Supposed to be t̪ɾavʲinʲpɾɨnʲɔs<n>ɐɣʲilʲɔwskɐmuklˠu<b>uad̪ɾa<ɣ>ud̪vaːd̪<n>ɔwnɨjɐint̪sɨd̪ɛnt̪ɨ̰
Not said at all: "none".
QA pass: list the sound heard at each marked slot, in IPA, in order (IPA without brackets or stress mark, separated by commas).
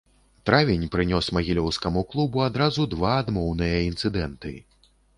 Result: m, b, z, m